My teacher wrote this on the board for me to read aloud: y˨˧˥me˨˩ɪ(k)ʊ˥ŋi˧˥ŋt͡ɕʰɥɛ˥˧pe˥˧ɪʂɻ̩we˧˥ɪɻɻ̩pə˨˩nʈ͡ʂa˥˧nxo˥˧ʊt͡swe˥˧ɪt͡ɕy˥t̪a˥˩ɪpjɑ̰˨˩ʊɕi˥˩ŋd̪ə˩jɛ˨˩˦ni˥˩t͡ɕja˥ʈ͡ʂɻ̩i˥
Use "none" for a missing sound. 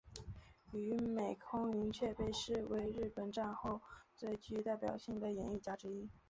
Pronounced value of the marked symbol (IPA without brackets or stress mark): kʰ